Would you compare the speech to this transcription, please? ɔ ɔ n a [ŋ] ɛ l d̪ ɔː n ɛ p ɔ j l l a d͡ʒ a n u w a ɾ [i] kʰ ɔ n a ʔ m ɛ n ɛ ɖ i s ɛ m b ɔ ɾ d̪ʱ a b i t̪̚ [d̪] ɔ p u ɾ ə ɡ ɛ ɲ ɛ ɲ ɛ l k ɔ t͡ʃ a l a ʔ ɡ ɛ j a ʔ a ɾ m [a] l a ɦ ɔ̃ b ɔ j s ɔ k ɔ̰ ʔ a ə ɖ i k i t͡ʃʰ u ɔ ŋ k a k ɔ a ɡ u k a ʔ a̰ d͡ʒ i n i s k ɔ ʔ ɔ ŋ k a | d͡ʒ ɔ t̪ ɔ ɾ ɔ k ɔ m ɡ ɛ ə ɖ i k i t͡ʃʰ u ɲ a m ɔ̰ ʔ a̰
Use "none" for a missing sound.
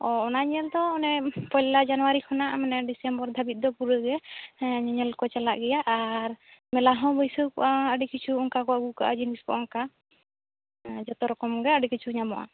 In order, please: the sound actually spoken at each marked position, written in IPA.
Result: ɲ, i, d̪, ɛ

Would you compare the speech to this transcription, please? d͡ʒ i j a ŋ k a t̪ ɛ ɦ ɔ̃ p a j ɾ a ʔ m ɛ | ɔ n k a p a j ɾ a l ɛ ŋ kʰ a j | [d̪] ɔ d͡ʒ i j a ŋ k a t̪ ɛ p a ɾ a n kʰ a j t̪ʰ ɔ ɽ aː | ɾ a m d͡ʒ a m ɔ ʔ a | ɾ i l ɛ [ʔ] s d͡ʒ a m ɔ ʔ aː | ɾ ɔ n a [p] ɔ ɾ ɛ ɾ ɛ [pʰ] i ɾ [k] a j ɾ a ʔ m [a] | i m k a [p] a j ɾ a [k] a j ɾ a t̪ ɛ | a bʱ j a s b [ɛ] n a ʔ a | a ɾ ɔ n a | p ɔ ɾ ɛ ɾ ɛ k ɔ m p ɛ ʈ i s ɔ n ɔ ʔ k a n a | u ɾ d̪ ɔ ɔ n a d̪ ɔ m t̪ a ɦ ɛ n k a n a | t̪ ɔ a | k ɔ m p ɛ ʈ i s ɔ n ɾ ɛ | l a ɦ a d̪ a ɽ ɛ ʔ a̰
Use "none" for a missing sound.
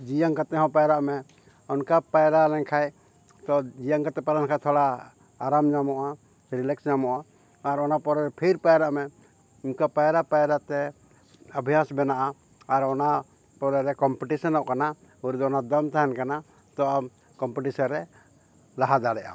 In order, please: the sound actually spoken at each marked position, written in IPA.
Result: t̪, k, p, pʰ, p, ɛ, p, p, ɛ

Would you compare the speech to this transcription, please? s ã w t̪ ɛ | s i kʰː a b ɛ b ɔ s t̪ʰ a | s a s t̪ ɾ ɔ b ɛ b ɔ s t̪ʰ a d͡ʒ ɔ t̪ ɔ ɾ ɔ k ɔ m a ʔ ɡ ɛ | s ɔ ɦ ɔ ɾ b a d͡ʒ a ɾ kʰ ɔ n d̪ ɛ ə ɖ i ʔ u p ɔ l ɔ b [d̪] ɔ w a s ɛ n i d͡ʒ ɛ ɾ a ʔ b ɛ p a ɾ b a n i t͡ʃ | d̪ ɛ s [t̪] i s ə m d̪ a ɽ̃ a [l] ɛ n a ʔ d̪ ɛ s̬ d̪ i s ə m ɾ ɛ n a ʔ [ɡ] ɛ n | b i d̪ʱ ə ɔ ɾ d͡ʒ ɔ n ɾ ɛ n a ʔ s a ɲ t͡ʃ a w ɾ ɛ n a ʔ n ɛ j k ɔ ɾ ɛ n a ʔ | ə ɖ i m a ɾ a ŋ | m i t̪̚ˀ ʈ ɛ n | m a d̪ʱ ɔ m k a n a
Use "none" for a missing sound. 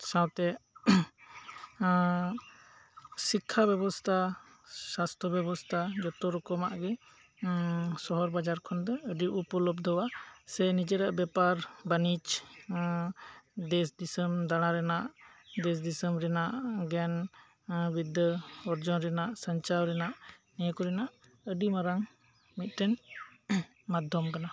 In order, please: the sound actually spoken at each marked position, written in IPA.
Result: d̪, d̪, ɾ, ɡ

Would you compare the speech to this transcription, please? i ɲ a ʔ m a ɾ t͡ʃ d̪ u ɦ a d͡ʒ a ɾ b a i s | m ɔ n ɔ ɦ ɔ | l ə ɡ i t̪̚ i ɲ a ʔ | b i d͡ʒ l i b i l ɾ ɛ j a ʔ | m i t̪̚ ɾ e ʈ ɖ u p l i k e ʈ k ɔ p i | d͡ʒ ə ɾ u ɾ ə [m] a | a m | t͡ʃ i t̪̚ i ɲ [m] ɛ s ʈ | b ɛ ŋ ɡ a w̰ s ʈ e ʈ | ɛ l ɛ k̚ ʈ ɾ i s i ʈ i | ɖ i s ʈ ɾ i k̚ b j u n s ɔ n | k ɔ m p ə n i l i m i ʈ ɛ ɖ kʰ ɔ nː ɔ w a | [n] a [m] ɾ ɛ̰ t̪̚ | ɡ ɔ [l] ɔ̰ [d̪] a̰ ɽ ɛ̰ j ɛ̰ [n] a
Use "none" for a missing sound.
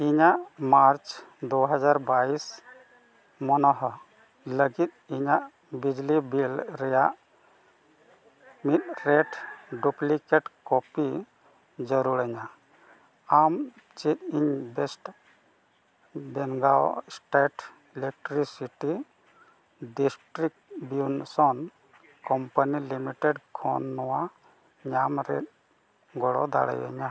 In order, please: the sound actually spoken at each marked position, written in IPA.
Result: ɲ, b, ɲ, m, ɽ, d̪, ɲ

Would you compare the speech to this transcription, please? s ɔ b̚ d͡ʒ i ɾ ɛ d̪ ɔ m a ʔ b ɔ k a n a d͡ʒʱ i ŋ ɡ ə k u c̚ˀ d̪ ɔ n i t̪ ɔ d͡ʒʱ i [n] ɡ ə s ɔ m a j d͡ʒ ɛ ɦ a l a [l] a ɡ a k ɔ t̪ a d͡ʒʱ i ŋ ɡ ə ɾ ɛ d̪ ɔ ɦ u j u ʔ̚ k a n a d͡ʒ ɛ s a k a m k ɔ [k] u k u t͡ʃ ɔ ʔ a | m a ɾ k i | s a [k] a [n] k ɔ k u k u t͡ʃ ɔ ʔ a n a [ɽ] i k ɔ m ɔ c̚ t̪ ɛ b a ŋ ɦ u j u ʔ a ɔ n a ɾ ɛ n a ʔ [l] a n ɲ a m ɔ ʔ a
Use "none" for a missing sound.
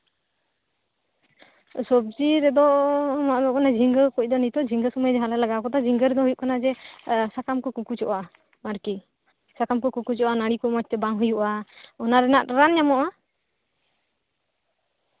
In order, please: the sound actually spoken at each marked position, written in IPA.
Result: ŋ, l, k, k, m, ɽ, ɾ

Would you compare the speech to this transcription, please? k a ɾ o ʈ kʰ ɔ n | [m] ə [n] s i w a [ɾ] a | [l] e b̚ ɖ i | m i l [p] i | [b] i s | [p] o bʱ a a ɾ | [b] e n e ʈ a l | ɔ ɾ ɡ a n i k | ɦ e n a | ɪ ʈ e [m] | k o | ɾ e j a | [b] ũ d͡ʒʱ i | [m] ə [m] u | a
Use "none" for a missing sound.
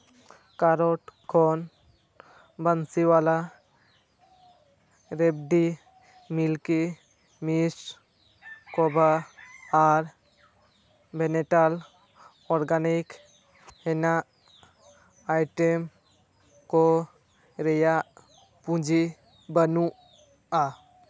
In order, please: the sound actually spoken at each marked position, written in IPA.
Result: b, n, l, ɾ, k, m, k, b, m, p, b, n

